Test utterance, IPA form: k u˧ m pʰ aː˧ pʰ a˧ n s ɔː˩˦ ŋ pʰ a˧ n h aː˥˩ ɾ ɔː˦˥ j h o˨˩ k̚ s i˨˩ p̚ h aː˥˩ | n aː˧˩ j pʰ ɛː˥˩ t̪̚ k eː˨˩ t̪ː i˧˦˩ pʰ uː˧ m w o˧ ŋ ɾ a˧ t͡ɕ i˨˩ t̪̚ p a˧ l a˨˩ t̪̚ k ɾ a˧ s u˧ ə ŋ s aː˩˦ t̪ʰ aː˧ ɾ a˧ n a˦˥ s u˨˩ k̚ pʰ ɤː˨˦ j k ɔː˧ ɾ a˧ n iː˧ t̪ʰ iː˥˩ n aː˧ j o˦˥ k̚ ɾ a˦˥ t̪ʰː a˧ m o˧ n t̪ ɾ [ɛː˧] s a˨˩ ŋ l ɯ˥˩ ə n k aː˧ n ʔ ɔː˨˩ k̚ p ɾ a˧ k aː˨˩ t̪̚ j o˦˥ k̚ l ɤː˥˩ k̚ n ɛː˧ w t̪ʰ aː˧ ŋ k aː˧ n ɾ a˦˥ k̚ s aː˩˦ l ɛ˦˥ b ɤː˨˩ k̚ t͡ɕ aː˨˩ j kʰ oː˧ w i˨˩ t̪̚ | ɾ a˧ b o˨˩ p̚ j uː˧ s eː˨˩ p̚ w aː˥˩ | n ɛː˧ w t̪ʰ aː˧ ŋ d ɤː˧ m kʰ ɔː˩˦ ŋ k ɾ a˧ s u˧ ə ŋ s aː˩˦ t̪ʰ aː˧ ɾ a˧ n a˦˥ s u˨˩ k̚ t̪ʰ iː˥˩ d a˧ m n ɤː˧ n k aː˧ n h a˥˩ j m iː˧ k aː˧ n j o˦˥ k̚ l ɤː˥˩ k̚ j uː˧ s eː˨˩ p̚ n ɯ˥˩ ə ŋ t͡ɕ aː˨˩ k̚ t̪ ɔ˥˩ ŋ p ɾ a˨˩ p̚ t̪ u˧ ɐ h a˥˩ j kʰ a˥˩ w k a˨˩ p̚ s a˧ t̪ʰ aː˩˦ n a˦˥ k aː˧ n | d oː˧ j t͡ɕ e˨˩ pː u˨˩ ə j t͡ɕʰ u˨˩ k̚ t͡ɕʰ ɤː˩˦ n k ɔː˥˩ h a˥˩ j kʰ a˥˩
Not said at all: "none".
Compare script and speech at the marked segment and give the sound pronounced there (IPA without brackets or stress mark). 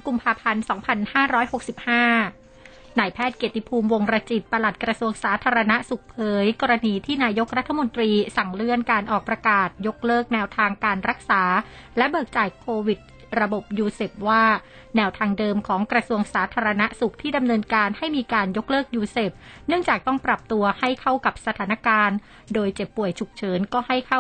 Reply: iː˧